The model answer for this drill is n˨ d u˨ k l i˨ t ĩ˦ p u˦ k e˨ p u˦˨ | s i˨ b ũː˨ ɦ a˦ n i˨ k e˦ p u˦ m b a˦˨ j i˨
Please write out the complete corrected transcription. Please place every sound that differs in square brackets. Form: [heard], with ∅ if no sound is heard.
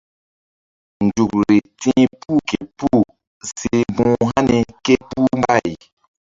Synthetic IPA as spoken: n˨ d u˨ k [ɾ] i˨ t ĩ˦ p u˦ k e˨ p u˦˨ | s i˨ b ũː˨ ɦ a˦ n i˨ k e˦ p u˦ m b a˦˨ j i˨